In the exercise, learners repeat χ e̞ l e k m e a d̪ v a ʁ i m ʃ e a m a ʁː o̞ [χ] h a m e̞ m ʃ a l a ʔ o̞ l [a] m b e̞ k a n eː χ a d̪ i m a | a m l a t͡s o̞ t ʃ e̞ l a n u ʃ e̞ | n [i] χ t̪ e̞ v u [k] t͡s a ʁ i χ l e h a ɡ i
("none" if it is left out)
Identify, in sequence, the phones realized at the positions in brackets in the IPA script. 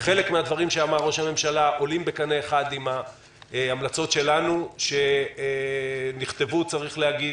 ʃ, i, i, none

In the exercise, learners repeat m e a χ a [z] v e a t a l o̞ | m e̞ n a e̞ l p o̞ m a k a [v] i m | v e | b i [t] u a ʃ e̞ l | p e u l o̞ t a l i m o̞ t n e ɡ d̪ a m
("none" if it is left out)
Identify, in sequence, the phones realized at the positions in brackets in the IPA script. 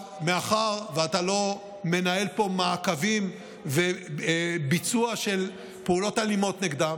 ʁ, v, t͡s

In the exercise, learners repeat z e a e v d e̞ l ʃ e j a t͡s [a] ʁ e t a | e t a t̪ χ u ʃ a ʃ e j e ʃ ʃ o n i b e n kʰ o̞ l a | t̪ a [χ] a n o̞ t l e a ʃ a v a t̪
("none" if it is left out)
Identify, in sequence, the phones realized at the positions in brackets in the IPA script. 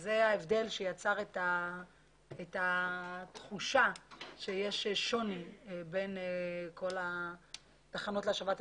a, χ

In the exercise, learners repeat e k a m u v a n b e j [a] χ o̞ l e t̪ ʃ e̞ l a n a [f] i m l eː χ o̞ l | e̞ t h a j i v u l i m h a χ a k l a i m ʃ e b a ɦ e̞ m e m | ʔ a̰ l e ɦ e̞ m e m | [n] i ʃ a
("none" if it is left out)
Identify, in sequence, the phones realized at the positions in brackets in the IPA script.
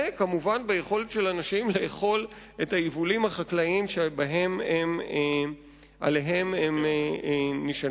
e, ʃ, n

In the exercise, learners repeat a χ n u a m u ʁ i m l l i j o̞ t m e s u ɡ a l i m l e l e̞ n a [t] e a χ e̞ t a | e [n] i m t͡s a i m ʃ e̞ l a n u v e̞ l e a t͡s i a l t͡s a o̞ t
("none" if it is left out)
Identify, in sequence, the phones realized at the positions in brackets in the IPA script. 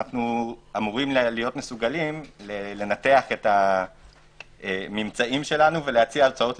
t, m

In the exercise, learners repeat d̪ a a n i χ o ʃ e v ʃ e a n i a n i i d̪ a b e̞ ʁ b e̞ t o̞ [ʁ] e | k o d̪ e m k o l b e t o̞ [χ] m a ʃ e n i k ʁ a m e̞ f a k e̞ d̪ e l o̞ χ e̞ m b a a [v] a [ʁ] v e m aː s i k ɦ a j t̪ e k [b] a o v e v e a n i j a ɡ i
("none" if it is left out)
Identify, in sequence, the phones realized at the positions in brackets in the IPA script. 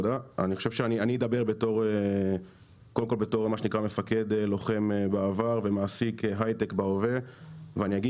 ʁ, ʁ, v, ʁ, b

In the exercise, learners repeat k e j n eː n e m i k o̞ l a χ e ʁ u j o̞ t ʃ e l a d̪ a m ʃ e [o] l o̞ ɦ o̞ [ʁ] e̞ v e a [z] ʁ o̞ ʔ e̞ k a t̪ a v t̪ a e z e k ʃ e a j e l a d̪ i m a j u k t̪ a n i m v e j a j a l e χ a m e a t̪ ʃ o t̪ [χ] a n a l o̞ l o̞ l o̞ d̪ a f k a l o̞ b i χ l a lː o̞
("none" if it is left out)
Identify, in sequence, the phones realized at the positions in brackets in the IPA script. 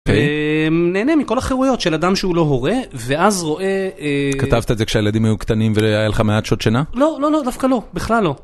u, ʁ, z, ʃ

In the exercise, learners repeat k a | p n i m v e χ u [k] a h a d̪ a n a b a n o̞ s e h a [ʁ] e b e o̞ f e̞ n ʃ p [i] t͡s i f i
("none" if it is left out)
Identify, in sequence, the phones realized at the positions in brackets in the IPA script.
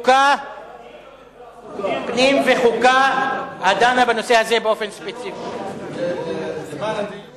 k, z, e

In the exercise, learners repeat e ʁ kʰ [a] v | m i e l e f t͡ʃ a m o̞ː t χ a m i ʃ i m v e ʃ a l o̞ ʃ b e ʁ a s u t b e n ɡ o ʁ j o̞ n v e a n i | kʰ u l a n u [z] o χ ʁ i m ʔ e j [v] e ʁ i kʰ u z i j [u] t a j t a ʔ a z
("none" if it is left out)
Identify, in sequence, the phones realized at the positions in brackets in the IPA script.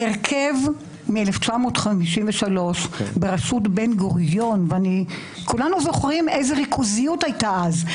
e, z, z, u

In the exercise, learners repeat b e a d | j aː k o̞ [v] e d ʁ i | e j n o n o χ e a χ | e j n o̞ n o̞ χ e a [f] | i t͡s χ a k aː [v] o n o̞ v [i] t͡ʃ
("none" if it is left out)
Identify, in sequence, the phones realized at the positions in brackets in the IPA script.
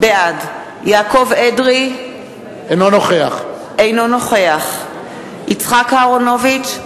v, χ, ʁ, i

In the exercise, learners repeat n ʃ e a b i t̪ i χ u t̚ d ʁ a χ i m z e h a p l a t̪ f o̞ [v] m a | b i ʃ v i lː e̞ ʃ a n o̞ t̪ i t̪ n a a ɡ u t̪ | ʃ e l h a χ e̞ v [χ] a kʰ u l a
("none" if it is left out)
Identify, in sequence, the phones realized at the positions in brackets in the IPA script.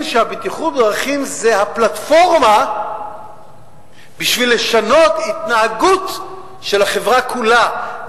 ʁ, ʁ

